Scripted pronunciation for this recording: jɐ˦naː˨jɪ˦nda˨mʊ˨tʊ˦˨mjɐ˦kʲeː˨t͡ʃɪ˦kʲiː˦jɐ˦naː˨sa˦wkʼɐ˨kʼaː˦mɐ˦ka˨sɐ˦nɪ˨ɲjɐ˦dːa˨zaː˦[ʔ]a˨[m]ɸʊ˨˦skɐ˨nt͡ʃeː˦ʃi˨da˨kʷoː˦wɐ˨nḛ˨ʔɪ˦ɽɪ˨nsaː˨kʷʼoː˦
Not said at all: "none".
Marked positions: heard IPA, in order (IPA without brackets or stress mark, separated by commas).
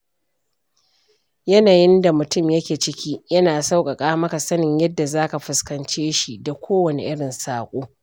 k, none